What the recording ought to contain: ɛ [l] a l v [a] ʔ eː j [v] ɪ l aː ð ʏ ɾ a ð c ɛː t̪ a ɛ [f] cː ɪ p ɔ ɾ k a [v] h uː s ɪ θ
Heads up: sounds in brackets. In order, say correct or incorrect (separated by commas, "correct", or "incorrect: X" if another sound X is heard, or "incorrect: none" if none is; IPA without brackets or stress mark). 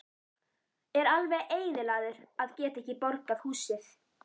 incorrect: ɾ, incorrect: ɛ, incorrect: ð, incorrect: h, incorrect: ð